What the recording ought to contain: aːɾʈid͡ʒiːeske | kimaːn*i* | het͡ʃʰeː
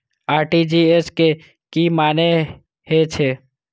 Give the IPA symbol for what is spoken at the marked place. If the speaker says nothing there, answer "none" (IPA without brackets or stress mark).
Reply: e